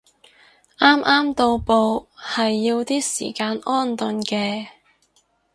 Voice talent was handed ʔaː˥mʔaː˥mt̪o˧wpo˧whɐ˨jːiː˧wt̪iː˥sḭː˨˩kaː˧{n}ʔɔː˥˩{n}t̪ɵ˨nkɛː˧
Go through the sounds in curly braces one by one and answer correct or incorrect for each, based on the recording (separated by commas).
correct, correct